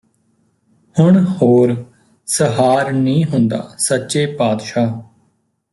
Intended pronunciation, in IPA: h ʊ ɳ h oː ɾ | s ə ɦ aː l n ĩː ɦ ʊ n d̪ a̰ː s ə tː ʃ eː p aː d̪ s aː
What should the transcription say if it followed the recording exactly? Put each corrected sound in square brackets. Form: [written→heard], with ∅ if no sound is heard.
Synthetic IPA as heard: h ʊ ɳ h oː ɾ | s ə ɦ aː [l→ɾ] n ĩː ɦ ʊ n d̪ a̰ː s ə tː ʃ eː p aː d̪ [s→ʃ] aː